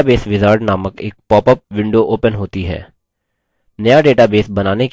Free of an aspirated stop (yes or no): yes